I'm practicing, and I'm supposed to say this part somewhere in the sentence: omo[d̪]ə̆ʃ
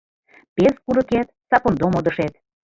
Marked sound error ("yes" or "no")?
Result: no